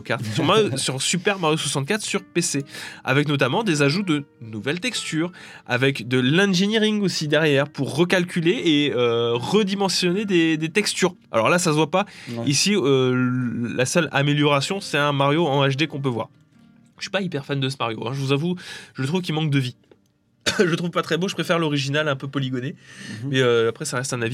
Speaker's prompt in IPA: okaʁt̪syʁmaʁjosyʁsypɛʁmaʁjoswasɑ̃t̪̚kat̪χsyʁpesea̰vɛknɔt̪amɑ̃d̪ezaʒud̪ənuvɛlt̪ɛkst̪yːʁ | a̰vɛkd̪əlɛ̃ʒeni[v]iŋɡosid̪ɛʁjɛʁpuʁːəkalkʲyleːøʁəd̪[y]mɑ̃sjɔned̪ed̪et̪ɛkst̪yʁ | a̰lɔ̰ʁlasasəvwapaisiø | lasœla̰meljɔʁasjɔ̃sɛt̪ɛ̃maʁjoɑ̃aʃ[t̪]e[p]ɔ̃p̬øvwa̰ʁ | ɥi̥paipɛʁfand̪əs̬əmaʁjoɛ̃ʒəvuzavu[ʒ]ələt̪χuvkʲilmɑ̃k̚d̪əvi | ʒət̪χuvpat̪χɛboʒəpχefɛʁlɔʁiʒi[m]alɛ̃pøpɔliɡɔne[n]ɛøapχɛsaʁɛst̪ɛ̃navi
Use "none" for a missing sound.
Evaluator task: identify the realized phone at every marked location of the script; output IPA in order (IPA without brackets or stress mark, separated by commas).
ʁ, i, d̪, k, ʒ, n, m